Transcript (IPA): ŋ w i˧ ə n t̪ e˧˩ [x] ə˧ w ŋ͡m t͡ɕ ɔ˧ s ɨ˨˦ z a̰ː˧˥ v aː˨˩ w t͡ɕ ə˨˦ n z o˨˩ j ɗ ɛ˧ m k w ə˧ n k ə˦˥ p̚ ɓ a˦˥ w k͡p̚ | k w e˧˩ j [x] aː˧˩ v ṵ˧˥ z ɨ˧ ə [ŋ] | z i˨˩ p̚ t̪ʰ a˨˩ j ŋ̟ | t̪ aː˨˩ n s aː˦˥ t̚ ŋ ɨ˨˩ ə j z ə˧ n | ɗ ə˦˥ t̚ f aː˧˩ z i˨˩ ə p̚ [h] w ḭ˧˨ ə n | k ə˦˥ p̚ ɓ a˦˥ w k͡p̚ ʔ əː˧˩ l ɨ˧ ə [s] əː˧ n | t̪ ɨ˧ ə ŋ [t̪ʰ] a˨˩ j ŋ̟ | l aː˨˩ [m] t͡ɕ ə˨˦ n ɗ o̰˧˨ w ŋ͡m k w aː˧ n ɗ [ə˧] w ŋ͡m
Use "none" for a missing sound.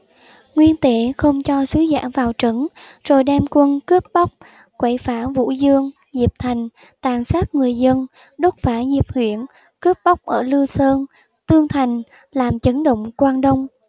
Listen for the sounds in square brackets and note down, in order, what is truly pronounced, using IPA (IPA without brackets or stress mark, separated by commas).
x, f, ŋ, h, s, t̪ʰ, m, ə˧